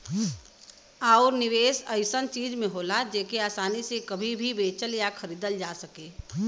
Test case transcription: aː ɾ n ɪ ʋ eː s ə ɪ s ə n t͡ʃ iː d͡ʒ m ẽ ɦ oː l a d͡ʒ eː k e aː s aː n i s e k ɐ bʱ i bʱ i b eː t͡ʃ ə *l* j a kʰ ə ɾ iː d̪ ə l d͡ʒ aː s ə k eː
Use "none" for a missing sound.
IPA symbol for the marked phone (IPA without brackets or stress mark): l